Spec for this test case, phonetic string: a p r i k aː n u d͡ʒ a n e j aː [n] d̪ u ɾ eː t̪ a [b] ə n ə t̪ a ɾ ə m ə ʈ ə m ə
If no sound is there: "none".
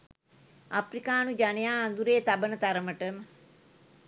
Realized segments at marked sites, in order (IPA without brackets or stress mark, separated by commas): n, b